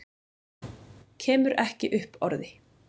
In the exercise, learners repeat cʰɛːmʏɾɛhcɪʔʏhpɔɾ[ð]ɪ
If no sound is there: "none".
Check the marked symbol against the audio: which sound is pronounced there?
ð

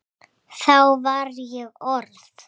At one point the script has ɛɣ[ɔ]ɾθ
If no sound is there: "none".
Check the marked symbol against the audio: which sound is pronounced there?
ɔ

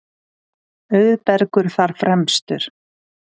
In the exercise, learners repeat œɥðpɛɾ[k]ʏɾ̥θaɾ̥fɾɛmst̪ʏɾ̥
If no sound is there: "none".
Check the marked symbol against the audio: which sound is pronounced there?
k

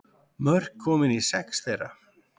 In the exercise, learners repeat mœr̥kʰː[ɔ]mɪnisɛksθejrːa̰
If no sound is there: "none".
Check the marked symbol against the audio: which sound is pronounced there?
ɔː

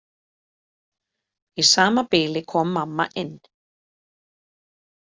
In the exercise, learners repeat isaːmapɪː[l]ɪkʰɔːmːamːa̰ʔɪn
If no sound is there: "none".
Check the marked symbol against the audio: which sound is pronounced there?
l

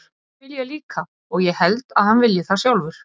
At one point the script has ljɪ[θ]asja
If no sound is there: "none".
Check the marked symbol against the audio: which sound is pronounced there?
θ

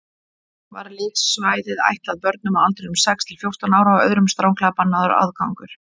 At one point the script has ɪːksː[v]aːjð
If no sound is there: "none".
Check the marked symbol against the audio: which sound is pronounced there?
v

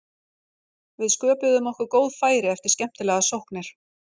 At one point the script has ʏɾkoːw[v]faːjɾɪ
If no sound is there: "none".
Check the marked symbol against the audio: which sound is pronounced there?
ð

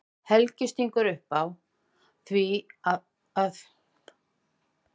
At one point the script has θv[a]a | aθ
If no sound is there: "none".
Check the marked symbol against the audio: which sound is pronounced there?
i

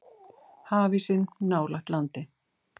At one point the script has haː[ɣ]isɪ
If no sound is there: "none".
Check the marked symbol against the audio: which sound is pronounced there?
v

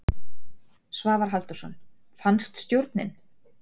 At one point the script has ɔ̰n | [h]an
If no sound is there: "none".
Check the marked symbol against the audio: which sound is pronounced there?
f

